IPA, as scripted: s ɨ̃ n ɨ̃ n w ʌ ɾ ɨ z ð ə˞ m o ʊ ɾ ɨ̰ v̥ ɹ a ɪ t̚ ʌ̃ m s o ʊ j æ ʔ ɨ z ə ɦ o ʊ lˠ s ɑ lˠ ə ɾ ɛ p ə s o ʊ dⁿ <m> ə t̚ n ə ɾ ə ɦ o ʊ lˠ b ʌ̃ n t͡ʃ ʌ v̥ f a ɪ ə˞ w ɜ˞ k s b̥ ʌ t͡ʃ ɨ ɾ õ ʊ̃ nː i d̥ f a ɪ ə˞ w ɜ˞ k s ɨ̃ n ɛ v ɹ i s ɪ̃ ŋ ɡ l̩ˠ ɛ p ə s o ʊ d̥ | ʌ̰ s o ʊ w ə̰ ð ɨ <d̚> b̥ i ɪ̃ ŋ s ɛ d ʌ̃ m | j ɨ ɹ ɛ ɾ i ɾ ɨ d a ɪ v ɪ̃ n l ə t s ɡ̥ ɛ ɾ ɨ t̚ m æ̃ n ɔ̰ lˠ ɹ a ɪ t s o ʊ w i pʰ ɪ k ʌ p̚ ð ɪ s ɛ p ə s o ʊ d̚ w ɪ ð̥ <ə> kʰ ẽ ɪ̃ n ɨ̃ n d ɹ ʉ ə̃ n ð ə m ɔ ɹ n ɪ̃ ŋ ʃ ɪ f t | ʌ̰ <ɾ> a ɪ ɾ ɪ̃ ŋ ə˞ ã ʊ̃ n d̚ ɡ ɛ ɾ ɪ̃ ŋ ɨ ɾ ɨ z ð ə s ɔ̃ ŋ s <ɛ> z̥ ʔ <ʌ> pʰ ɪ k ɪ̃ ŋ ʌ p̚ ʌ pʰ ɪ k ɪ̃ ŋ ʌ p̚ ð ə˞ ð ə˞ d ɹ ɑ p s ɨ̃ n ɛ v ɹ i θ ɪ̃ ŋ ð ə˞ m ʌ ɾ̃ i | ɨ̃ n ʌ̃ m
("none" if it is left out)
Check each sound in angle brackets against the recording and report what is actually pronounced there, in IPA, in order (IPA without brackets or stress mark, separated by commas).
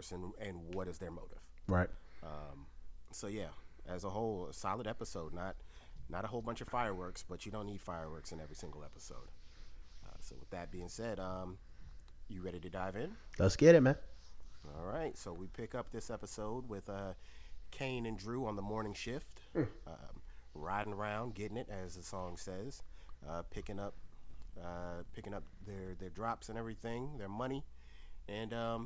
n, t̚, ʌ, ɹ, ɛ, ʌ